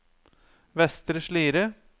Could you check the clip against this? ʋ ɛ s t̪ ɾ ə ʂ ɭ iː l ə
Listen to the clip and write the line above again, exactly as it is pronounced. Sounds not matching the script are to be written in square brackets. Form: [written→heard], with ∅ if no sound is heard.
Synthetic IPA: ʋ ɛ s t̪ ɾ ə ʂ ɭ iː [l→ɾ] ə

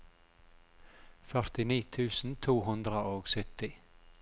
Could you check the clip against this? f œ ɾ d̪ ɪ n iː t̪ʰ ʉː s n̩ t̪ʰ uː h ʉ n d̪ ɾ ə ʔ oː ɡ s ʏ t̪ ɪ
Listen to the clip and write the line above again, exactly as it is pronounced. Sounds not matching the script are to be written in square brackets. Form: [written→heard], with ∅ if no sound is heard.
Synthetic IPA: f œ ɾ [d̪→t̪] ɪ n iː t̪ʰ ʉː s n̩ t̪ʰ uː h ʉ n d̪ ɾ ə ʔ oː ɡ s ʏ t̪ ɪ

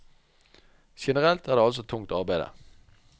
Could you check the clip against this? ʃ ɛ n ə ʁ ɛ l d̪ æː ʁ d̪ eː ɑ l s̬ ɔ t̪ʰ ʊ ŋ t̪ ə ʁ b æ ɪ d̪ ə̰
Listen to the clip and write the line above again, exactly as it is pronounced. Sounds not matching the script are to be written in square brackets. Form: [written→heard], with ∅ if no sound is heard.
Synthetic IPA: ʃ ɛ n ə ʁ ɛ l [d̪→t̪] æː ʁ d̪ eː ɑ l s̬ ɔ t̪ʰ ʊ ŋ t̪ [ə→ɑ] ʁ b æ ɪ d̪ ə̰

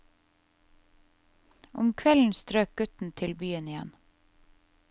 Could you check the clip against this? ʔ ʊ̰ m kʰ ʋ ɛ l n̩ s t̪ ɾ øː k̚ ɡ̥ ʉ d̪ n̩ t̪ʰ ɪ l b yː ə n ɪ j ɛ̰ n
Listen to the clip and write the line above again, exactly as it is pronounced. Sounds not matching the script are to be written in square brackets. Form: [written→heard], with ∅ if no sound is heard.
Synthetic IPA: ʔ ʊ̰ m kʰ ʋ ɛ l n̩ s t̪ ɾ øː k̚ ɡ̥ ʉ [d̪→t̪] n̩ t̪ʰ ɪ l b yː ə n ɪ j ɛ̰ n

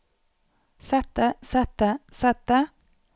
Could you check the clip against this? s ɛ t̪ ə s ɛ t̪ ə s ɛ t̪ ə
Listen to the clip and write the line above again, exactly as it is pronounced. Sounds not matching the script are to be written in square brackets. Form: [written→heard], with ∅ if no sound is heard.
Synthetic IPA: s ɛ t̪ ə s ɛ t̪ ə s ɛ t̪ ə

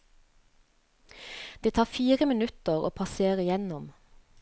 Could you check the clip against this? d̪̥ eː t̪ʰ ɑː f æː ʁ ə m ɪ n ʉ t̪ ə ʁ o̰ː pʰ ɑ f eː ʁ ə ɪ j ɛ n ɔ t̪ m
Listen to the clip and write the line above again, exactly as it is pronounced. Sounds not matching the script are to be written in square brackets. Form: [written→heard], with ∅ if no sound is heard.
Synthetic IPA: d̪̥ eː t̪ʰ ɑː f [æː→iː] ʁ ə m ɪ n ʉ t̪ ə ʁ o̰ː pʰ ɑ [f→s] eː ʁ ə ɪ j ɛ n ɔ [t̪→∅] m

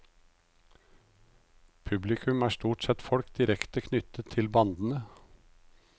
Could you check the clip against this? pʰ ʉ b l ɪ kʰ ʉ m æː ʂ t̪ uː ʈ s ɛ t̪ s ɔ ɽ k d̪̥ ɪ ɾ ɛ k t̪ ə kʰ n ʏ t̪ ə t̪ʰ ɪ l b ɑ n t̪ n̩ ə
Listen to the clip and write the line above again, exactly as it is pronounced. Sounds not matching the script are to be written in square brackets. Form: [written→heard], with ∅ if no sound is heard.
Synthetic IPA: pʰ ʉ b l ɪ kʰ ʉ m æː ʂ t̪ uː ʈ s ɛ t̪ [s→f] ɔ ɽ k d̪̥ ɪ ɾ ɛ k t̪ ə kʰ n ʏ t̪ ə t̪ʰ ɪ l b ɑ n [t̪→d̪] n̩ ə

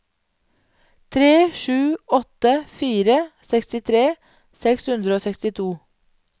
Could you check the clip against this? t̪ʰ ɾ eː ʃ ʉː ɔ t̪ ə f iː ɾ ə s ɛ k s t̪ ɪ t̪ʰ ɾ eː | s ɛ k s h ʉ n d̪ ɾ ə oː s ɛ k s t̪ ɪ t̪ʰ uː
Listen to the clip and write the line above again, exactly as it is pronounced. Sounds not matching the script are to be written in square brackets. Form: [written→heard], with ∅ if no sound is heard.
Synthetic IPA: t̪ʰ ɾ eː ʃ ʉː ɔ t̪ ə f iː ɾ ə s ɛ k s t̪ ɪ t̪ʰ ɾ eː | s ɛ k s h ʉ n d̪ ɾ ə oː s ɛ k s t̪ ɪ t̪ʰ uː

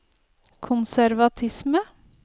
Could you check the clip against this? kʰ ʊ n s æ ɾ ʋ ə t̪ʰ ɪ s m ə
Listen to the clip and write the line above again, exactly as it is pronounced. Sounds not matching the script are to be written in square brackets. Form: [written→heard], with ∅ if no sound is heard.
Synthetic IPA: kʰ ʊ n s æ ɾ ʋ [ə→ɑ] t̪ʰ ɪ s m ə

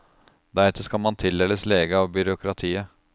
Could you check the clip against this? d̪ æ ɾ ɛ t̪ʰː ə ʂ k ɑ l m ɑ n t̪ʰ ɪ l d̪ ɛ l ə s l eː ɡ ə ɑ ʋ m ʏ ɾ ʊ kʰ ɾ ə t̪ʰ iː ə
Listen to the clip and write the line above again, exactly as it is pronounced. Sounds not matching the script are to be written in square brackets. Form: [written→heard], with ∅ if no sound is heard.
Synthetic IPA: d̪ æ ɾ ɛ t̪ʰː ə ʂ k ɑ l m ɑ n t̪ʰ ɪ l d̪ ɛ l ə s l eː ɡ ə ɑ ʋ [m→b] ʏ ɾ ʊ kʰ ɾ [ə→ɑ] t̪ʰ iː ə

